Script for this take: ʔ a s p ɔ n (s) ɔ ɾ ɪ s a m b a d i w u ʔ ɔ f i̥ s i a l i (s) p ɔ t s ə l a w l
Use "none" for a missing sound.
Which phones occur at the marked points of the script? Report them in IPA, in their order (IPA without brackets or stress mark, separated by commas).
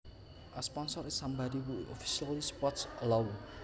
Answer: s, s